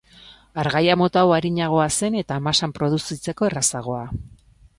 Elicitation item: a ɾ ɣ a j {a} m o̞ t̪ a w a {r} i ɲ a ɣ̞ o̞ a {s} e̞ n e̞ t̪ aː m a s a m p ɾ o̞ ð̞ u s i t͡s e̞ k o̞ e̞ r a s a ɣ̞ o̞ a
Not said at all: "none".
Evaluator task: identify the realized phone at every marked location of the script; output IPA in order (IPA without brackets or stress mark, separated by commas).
a, ɾ, s